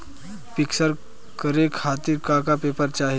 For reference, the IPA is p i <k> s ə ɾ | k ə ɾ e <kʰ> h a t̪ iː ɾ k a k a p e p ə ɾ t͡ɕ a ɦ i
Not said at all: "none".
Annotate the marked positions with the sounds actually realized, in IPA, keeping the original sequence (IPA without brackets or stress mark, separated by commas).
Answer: k, kʰ